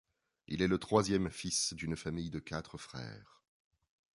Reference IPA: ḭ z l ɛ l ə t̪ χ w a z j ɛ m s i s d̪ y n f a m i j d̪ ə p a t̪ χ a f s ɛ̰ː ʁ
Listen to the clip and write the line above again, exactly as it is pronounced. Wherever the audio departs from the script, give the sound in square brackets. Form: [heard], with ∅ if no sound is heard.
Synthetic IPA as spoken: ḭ [∅] l ɛ l ə t̪ χ w a z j ɛ m [f] i s d̪ y n f a m i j d̪ ə [k] a t̪ χ [ə] f [χ] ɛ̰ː ʁ